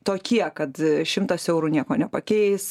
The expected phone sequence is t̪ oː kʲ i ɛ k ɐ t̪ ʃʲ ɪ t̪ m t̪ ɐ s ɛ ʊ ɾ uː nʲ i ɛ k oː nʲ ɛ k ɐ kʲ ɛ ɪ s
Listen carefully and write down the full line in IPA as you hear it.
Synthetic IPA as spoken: t̪ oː kʲ i ɛ k ɐ t̪ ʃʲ ɪ m t̪ ɐ s ɛ ʊ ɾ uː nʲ i ɛ k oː nʲ ɛ p ɐ kʲ ɛ ɪ s